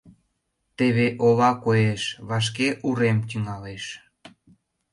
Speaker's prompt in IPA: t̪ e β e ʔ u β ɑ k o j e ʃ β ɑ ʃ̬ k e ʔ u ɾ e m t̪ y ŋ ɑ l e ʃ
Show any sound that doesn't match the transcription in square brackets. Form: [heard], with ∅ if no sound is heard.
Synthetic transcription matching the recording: t̪ e β e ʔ [o] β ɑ k o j e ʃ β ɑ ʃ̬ k e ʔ u ɾ e m t̪ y ŋ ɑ l e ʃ